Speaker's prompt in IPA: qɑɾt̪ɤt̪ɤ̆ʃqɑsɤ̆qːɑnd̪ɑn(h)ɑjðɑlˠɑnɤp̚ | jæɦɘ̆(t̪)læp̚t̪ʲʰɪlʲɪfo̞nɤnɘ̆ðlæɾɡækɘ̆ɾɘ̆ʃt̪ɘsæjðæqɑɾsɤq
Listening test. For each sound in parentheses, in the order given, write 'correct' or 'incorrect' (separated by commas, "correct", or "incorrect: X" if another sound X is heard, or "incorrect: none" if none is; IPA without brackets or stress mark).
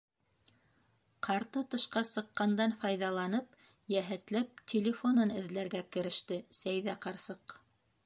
incorrect: f, correct